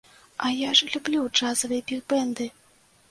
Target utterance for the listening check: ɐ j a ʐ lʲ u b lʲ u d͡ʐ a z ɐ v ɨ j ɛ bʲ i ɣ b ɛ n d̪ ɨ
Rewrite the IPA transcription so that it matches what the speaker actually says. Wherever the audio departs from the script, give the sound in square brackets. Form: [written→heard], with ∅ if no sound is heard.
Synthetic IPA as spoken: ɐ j a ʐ lʲ u b lʲ u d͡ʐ a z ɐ v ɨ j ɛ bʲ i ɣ b ɛ n d̪ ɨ

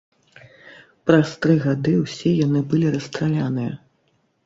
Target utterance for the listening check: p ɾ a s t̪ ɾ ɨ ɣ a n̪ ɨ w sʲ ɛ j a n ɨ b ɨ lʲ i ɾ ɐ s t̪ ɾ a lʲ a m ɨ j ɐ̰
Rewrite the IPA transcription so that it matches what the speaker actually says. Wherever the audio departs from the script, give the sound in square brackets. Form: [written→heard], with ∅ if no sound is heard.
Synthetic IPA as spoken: p ɾ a s t̪ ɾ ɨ ɣ a [n̪→d̪] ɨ w sʲ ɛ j a n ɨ b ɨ lʲ i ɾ ɐ s t̪ ɾ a lʲ a [m→n] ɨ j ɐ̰

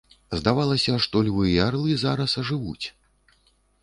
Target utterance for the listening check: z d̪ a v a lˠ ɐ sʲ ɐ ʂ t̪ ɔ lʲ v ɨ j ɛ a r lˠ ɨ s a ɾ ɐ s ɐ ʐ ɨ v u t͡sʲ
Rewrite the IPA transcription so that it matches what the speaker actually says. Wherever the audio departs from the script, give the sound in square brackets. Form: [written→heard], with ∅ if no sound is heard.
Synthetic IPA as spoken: z d̪ a v a lˠ ɐ sʲ ɐ ʂ t̪ ɔ lʲ v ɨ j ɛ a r lˠ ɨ [s→z] a ɾ ɐ s ɐ ʐ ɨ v u t͡sʲ

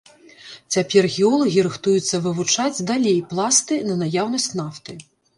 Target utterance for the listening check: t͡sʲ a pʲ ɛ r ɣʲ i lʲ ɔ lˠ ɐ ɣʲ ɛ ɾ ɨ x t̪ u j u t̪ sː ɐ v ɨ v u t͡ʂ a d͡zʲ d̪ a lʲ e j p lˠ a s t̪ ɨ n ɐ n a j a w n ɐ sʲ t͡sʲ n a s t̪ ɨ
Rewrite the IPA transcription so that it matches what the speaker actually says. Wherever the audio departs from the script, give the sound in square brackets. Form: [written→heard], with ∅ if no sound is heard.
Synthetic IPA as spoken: t͡sʲ a pʲ ɛ r ɣʲ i [lʲ→∅] ɔ lˠ ɐ ɣʲ [ɛ→i] ɾ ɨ x t̪ u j u t̪ sː ɐ v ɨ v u t͡ʂ a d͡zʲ d̪ a lʲ e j p lˠ a s t̪ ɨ n ɐ n a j a w n ɐ sʲ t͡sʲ n a [s→f] t̪ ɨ

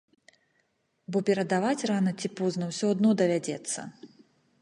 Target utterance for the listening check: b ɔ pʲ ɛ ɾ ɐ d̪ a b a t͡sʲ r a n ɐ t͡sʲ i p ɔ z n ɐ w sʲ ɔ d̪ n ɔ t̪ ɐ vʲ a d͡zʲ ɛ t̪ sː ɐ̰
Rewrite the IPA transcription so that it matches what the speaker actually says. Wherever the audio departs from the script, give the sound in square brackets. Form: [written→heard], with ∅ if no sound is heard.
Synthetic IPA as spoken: b ɔ pʲ ɛ ɾ ɐ d̪ a [b→v] a t͡sʲ r a n ɐ t͡sʲ i p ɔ z n ɐ w sʲ ɔ d̪ n ɔ [t̪→d̪] ɐ vʲ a d͡zʲ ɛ t̪ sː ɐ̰

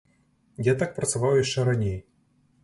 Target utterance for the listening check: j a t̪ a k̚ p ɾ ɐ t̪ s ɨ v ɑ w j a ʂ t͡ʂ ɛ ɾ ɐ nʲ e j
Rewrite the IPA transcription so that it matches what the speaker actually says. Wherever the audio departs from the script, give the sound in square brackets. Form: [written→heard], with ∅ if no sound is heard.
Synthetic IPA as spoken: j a t̪ a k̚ p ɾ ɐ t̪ s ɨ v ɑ w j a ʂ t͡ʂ ɛ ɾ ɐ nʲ e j

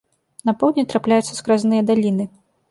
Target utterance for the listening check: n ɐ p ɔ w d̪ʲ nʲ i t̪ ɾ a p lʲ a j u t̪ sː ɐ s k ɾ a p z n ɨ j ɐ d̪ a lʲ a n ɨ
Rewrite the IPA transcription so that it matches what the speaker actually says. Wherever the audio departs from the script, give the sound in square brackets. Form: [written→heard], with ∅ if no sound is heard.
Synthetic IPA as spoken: n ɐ p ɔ w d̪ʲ nʲ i t̪ ɾ a p lʲ a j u t̪ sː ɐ s k ɾ a [p→∅] z n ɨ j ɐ d̪ a lʲ [a→i] n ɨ

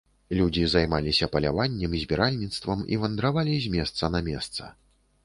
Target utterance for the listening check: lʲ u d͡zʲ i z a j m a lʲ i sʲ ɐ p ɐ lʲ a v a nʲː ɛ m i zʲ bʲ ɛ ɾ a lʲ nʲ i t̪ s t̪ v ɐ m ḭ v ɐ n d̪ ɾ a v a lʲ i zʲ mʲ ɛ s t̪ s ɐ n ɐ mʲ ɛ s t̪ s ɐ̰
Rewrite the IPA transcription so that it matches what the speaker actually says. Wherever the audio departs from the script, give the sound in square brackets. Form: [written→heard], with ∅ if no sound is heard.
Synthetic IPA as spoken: lʲ u d͡zʲ i z a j m a lʲ i sʲ ɐ p ɐ lʲ a v a nʲː ɛ m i zʲ bʲ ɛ ɾ a lʲ nʲ i t̪ s t̪ v ɐ m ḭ v ɐ n d̪ ɾ a v a lʲ i zʲ mʲ ɛ s t̪ s ɐ n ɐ mʲ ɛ s t̪ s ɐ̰

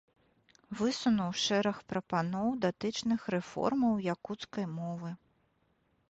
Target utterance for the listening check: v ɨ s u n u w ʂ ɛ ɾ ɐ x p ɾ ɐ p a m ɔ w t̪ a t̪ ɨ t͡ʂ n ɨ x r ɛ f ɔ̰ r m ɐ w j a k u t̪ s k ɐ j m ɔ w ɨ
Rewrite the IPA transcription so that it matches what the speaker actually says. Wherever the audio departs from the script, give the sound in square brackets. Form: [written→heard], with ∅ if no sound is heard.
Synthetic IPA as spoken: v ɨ s u n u w ʂ ɛ ɾ ɐ x p ɾ ɐ p a [m→n] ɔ w [t̪→d̪] a t̪ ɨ t͡ʂ n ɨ x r ɛ f ɔ̰ r m ɐ w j a k u t̪ s k ɐ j m ɔ [w→v] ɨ

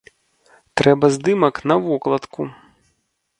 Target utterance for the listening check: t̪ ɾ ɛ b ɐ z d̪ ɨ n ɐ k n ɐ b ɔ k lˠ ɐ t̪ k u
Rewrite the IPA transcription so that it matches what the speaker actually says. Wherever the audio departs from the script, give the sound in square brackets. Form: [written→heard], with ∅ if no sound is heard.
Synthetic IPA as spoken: t̪ ɾ ɛ b ɐ z d̪ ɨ [n→m] ɐ k n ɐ [b→v] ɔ k lˠ ɐ t̪ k u

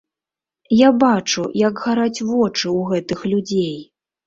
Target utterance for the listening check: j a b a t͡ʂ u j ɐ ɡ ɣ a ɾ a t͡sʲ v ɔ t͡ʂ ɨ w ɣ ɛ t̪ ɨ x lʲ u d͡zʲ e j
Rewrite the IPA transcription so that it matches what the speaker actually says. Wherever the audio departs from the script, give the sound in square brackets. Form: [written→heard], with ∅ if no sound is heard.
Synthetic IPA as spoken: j a b a t͡ʂ u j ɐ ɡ ɣ a ɾ a t͡sʲ v ɔ t͡ʂ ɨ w ɣ ɛ t̪ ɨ x lʲ u d͡zʲ e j

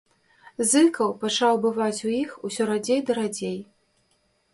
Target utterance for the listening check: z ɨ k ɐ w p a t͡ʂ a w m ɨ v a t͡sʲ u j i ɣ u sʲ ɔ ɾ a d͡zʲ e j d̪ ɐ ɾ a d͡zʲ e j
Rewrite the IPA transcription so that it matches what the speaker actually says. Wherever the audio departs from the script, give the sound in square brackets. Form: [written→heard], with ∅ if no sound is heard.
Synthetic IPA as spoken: z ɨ k ɐ w p a t͡ʂ a w [m→b] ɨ v a t͡sʲ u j i [ɣ→x] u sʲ ɔ ɾ a d͡zʲ e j d̪ ɐ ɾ a d͡zʲ e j

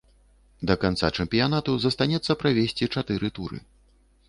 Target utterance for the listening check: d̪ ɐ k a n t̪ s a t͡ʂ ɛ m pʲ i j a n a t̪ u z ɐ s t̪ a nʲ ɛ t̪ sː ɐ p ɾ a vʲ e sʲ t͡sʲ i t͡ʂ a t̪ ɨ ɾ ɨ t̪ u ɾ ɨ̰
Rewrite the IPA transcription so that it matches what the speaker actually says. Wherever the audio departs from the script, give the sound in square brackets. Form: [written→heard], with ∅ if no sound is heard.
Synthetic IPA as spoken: d̪ ɐ k a n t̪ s a t͡ʂ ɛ m pʲ i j a n a t̪ u z ɐ s t̪ a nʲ ɛ t̪ sː ɐ p ɾ a vʲ e sʲ t͡sʲ i t͡ʂ a t̪ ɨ ɾ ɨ t̪ u ɾ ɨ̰

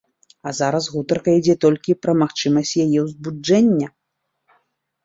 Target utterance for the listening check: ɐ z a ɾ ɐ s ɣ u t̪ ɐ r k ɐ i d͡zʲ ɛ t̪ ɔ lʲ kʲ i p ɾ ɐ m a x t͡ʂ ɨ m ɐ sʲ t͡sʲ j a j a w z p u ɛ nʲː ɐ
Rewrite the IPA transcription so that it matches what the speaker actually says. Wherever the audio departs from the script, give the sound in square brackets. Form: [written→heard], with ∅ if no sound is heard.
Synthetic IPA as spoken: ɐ z a ɾ ɐ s ɣ u t̪ ɐ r k ɐ i d͡zʲ ɛ t̪ ɔ lʲ kʲ i p ɾ ɐ m a x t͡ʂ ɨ m ɐ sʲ t͡sʲ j a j [a→ɛ] w z [p→b] u ɛ nʲː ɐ

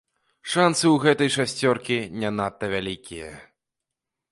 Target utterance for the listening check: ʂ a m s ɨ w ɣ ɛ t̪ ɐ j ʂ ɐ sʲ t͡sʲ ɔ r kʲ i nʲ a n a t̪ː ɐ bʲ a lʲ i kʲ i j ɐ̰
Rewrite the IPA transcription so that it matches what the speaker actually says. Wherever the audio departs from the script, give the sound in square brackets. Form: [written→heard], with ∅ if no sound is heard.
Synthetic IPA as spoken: ʂ a [m→n] s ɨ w ɣ ɛ t̪ ɐ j ʂ [ɐ→a] sʲ t͡sʲ ɔ r kʲ i nʲ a n a t̪ː ɐ [bʲ→vʲ] a lʲ i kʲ i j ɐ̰

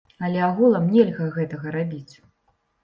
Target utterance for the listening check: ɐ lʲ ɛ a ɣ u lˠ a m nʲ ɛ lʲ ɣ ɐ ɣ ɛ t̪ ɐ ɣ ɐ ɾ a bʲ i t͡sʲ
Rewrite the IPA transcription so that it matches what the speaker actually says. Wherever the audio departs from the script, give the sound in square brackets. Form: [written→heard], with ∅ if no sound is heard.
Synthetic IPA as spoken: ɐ lʲ ɛ a ɣ u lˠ [a→ɐ] m nʲ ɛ lʲ ɣ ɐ ɣ ɛ t̪ ɐ ɣ ɐ ɾ a bʲ i t͡sʲ

